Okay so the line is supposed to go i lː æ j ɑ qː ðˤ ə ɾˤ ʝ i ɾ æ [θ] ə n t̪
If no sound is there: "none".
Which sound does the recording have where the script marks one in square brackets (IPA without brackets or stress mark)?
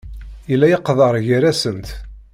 s